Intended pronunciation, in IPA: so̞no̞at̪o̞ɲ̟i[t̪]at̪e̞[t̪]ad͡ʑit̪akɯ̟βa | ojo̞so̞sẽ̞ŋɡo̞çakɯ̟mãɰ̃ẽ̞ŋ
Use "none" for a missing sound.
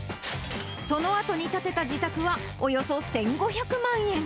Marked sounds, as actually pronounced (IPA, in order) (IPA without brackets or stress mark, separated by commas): t̪, t̪